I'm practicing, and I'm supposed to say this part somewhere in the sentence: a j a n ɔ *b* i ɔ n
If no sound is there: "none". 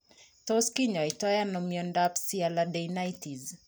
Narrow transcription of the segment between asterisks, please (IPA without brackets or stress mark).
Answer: m